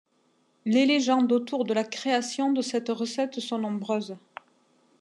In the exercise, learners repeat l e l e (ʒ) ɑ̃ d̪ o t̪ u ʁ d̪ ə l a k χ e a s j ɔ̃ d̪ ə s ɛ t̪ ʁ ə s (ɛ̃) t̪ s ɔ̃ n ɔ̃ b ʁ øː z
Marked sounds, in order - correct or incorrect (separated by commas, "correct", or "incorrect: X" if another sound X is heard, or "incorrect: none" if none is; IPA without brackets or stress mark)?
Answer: correct, incorrect: ɛ